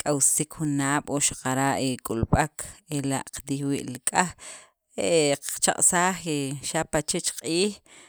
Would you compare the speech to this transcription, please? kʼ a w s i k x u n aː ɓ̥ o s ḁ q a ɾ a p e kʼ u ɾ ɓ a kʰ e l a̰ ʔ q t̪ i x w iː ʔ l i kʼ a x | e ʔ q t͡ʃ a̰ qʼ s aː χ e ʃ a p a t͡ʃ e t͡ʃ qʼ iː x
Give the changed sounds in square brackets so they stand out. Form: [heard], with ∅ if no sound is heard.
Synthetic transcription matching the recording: kʼ a w s i k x u n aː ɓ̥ o [ʃ] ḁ q a ɾ a [ʔ] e kʼ u [l] ɓ a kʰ e l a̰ ʔ q t̪ i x w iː ʔ l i kʼ a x | e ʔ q t͡ʃ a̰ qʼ s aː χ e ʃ a p a t͡ʃ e t͡ʃ qʼ iː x